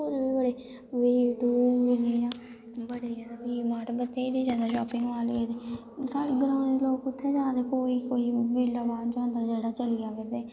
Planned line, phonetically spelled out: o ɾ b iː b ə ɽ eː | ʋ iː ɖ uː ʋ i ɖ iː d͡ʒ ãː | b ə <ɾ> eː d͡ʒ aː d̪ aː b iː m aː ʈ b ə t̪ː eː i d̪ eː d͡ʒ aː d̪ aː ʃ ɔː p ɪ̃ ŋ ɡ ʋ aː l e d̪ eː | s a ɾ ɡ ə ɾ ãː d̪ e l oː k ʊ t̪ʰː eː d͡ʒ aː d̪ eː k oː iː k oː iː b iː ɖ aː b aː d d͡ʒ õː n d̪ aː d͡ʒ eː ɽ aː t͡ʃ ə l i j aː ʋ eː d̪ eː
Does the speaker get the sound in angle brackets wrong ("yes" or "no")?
yes